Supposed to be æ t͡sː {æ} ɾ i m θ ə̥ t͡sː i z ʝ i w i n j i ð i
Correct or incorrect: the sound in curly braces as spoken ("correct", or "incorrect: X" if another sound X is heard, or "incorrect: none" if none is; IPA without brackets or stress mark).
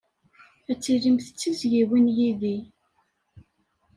incorrect: i